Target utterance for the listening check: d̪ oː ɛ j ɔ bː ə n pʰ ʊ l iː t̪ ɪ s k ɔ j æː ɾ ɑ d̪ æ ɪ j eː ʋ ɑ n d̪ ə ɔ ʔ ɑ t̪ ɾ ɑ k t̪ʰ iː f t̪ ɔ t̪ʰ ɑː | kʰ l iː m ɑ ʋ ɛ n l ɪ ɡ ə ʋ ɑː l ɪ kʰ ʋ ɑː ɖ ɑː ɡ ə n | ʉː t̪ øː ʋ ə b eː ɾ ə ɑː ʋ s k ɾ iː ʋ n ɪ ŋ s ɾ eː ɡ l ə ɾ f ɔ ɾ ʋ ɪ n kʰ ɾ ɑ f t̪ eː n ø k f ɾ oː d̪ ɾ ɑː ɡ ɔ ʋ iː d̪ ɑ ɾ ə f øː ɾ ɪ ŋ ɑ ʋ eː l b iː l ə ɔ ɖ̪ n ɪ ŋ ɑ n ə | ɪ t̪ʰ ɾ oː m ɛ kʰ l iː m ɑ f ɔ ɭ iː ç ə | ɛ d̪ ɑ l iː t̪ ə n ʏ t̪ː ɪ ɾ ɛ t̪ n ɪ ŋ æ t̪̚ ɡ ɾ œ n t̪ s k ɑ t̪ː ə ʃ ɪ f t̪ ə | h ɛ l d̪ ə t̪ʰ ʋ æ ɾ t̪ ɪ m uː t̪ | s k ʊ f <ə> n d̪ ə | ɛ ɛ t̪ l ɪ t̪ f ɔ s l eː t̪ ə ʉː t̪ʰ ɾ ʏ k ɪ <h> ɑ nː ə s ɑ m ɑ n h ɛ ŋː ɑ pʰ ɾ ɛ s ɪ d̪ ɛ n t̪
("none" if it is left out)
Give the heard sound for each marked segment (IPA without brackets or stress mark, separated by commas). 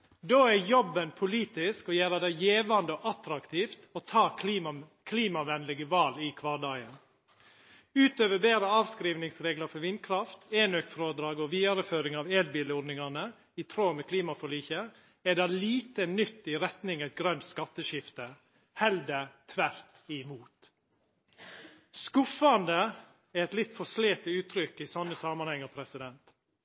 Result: ɑ, s